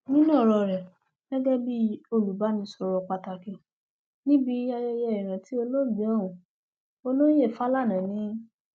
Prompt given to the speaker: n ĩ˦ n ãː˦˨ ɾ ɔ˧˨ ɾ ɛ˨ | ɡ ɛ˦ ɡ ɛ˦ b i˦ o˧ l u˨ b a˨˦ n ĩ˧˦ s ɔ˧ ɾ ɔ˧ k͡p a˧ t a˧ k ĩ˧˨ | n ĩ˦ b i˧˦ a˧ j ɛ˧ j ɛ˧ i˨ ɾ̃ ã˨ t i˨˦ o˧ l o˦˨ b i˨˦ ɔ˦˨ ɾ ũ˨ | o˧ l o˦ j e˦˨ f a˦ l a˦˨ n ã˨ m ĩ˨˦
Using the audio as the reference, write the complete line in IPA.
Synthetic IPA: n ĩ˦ n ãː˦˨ ɾ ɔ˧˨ ɾ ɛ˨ | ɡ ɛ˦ ɡ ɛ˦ b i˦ o˧ l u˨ b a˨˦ n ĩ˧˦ s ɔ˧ ɾ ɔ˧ k͡p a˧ t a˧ k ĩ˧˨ | n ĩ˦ b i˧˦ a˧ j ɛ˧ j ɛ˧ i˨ ɾ̃ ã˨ t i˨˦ o˧ l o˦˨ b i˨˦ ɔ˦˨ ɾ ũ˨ | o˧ l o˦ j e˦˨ f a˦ l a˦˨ n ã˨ n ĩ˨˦